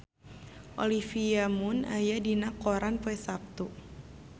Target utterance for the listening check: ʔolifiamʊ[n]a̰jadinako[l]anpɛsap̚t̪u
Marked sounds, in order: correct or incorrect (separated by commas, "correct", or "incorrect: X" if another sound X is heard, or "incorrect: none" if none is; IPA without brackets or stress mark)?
correct, incorrect: ɾ